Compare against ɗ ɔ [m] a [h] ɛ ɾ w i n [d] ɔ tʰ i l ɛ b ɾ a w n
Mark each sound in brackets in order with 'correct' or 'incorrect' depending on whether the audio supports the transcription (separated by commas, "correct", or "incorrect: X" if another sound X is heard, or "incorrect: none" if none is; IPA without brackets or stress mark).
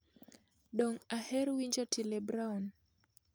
incorrect: ŋ, correct, incorrect: d͡ʒ